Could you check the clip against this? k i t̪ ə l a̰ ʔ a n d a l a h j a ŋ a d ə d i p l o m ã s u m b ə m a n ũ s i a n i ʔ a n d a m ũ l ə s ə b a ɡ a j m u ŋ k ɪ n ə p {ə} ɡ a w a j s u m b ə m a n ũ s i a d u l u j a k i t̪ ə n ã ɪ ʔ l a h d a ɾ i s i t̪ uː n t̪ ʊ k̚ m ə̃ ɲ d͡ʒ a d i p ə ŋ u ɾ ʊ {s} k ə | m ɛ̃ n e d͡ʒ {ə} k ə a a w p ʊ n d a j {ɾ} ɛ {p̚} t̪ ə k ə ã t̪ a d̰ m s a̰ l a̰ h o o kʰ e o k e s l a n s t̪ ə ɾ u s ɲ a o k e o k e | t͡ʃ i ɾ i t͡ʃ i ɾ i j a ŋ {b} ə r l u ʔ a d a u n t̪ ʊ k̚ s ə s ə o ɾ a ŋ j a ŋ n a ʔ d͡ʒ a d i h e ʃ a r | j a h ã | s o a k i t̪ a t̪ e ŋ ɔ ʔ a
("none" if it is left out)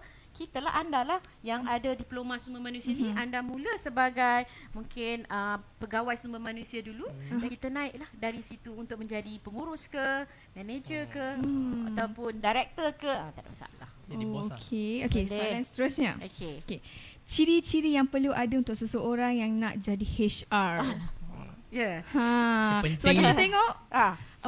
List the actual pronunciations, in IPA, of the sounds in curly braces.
ə, s, ə, ɾ, k̚, p

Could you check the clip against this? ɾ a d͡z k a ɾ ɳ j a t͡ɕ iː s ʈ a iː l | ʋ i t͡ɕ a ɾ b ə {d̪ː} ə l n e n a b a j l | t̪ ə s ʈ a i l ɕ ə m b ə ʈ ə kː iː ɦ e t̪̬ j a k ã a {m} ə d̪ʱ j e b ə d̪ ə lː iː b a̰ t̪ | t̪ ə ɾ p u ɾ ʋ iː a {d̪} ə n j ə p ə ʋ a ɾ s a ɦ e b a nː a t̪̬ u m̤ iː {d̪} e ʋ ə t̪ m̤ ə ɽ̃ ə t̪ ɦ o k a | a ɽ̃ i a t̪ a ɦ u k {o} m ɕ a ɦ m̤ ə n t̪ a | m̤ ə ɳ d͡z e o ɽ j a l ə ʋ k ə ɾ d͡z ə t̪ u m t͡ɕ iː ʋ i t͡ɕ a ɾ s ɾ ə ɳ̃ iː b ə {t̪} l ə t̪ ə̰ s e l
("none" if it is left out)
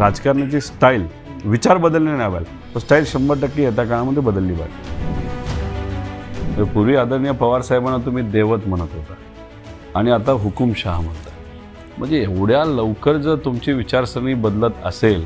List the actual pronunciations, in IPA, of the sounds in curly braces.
d̪, m, d̪, d̪, u, d̪

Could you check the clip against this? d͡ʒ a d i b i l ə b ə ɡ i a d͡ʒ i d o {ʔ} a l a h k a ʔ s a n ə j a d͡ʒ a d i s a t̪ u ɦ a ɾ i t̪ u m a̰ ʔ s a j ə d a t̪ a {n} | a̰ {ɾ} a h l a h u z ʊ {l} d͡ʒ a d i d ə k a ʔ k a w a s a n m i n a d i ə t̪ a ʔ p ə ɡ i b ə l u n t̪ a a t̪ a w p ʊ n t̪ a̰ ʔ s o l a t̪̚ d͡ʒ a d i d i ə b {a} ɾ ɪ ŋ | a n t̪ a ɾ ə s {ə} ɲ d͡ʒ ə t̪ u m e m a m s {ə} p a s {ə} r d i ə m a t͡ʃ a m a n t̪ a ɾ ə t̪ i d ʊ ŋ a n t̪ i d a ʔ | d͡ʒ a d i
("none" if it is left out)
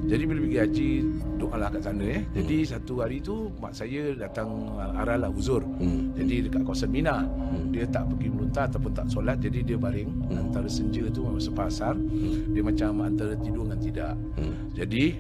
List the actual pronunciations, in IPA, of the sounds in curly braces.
ʔ, ŋ, ɾ, r, a, ə, ə, a

